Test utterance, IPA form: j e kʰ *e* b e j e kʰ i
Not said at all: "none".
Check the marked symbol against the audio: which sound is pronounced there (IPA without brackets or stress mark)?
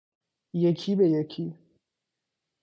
i